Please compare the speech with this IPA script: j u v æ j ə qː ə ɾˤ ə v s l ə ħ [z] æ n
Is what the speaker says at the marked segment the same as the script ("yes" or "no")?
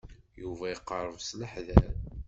no